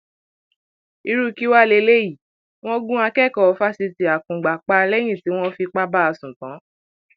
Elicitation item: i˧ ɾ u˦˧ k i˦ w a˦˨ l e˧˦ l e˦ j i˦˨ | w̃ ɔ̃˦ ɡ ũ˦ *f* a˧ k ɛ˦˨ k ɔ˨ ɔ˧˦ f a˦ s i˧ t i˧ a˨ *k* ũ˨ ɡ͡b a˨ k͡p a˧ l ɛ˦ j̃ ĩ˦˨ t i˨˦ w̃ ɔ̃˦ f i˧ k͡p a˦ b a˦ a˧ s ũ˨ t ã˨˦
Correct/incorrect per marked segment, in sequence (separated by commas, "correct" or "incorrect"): incorrect, correct